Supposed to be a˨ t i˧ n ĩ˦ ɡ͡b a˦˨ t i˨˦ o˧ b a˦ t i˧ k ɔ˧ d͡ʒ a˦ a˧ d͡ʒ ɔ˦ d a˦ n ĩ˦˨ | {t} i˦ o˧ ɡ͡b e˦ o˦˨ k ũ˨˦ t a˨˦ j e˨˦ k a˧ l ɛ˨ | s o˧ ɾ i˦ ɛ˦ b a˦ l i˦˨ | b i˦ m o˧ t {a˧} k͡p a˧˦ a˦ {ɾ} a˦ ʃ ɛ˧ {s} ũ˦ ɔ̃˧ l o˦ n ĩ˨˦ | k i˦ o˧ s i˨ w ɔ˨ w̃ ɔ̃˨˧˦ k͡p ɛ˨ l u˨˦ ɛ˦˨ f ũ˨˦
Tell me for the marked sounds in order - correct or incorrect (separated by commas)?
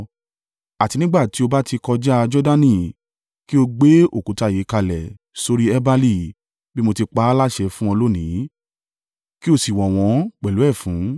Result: incorrect, incorrect, incorrect, incorrect